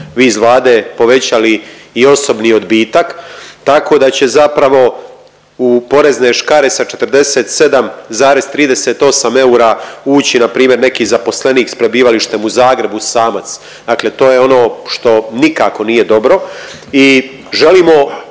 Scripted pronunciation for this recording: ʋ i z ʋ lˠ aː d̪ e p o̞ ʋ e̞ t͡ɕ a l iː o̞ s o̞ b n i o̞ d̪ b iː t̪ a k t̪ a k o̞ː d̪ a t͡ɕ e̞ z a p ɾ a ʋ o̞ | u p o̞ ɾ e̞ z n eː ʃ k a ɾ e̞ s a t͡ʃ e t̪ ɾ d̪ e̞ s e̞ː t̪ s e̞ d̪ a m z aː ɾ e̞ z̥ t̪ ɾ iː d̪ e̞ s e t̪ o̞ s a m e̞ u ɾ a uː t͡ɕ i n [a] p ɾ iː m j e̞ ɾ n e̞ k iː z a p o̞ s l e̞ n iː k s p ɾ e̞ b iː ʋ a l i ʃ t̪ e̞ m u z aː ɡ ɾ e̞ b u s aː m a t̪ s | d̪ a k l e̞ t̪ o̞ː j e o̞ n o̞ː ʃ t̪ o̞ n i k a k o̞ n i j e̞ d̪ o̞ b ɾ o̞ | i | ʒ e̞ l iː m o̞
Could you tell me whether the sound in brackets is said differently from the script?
no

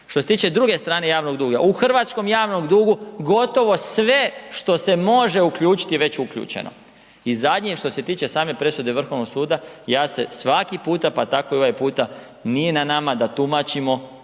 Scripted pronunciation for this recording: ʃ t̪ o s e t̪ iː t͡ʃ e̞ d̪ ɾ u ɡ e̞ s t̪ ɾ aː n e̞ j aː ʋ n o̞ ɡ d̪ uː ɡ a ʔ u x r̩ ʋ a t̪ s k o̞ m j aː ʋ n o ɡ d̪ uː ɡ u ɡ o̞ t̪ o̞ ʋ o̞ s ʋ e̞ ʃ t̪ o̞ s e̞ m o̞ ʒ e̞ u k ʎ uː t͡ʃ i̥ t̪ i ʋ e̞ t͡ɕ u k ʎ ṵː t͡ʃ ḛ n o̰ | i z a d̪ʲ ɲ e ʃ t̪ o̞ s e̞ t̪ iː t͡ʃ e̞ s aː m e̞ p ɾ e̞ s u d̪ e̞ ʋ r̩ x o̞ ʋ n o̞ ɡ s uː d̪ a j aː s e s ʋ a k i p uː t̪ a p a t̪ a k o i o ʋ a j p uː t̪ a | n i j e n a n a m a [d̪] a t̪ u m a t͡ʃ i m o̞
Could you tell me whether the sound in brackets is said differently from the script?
no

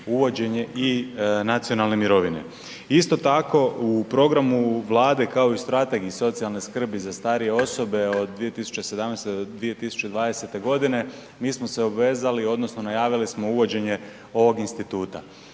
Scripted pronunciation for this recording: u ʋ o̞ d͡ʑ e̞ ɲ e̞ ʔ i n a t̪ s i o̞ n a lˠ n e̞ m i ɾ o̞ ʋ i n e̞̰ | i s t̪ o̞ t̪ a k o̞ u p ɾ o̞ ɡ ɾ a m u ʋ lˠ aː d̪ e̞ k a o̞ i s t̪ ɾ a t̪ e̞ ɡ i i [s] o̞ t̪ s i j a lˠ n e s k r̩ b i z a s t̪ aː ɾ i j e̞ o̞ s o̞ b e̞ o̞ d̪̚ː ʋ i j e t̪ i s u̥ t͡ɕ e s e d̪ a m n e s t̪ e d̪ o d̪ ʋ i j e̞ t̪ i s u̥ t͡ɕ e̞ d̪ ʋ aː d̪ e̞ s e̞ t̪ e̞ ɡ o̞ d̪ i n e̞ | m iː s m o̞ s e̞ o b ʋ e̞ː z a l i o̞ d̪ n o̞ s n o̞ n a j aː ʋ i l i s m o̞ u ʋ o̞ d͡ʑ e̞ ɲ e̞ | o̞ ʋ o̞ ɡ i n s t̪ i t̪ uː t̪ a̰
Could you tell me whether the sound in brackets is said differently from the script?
no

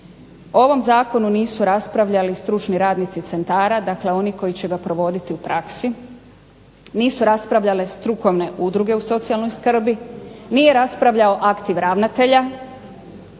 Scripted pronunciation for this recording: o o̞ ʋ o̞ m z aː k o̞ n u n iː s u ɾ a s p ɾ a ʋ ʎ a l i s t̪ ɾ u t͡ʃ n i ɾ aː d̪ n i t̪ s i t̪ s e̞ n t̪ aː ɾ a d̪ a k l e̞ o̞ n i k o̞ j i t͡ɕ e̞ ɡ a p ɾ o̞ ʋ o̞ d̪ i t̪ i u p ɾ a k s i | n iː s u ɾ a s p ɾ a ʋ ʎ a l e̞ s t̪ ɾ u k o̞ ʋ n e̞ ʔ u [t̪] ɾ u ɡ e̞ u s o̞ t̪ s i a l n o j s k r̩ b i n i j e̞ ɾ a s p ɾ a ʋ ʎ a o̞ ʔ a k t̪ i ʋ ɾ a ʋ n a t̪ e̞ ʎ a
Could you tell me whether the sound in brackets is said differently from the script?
yes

